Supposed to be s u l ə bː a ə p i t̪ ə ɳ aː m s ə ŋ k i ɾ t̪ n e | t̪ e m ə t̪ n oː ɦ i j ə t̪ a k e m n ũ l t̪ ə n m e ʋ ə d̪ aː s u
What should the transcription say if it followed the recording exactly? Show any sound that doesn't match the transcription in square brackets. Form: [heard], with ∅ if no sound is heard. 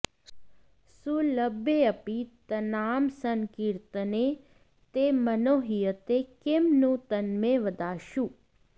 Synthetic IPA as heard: s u l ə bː [e] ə p i t̪ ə [n] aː m s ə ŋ k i ɾ t̪ n e | t̪ e m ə [∅] n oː ɦ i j ə t̪ [e] k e m n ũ [∅] t̪ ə n m e ʋ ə d̪ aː [ʃ] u